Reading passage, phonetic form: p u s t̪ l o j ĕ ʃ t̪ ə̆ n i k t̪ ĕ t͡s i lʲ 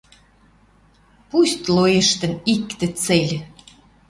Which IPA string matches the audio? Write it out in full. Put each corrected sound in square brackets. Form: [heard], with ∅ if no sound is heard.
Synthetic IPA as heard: p u s t̪ l o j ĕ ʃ t̪ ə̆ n i k t̪ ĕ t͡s [e] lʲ